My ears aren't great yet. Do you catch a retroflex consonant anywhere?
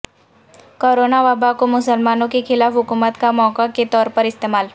no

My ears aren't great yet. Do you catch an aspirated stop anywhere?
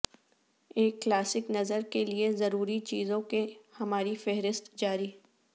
no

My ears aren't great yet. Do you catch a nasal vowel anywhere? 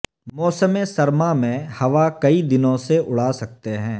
yes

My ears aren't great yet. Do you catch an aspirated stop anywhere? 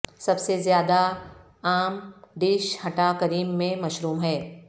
no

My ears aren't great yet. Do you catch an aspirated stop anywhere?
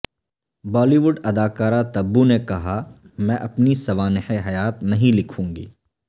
yes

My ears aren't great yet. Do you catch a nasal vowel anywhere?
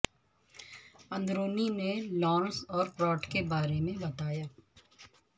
yes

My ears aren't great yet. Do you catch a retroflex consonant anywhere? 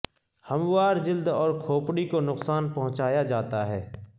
yes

